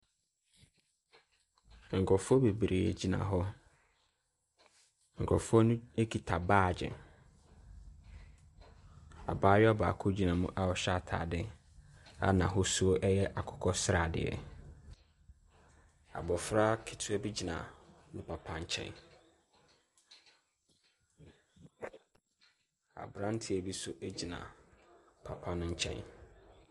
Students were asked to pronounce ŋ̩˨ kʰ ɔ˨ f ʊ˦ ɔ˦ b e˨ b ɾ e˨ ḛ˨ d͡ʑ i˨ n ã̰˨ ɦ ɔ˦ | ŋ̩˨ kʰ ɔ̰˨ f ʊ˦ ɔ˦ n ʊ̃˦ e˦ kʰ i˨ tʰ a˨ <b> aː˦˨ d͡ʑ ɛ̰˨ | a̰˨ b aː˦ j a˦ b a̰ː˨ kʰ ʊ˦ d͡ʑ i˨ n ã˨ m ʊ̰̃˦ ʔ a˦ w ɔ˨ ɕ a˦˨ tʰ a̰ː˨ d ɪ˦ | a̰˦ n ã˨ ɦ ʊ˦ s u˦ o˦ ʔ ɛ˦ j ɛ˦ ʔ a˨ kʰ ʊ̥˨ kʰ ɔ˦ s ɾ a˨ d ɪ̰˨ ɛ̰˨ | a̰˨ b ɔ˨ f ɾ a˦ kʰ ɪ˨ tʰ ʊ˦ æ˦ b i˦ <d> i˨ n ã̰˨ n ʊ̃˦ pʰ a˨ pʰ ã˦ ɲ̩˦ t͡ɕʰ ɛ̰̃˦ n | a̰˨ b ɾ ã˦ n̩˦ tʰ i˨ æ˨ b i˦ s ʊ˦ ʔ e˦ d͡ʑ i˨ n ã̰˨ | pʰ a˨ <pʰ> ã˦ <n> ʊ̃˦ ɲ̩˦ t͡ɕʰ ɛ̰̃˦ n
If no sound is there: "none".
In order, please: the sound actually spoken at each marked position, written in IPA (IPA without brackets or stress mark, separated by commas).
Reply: b, d͡ʑ, pʰ, n